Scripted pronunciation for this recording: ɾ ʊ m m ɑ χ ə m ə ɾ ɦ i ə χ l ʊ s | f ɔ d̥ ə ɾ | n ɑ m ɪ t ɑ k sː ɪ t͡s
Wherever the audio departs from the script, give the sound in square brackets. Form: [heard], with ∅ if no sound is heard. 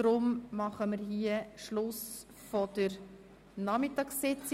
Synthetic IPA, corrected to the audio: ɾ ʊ m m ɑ χ ə m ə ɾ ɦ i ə [ʃ] l ʊ s | f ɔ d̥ ə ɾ | n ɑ m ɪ t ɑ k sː ɪ t͡s